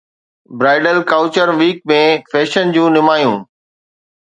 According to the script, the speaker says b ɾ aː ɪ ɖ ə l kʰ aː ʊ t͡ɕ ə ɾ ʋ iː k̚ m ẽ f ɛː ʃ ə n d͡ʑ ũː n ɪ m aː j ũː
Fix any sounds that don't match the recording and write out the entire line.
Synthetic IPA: b ɾ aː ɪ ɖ ə l k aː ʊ t͡ɕ ə ɾ ʋ iː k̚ m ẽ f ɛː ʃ ə n d͡ʑ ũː n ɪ m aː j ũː